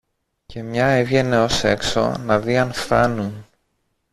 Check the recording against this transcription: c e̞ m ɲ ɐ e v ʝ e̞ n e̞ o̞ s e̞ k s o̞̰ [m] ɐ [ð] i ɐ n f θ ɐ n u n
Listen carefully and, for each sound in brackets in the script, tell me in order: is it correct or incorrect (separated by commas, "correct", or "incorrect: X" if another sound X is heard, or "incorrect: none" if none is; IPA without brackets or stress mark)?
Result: incorrect: n, correct